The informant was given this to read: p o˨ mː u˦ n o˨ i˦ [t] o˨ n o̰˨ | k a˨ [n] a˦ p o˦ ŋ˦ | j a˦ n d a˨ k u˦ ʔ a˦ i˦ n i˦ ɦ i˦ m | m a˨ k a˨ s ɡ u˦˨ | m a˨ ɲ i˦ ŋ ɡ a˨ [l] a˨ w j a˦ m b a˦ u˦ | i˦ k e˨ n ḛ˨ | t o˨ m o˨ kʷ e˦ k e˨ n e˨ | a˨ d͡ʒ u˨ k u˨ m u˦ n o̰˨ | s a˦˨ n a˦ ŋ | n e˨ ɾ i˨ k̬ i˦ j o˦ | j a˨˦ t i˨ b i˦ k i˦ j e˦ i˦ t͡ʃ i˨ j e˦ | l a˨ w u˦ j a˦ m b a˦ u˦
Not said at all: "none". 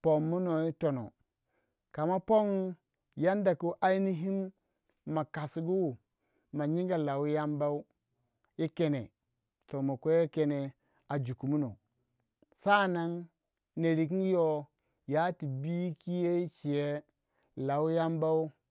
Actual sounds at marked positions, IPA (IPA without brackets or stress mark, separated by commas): t, m, l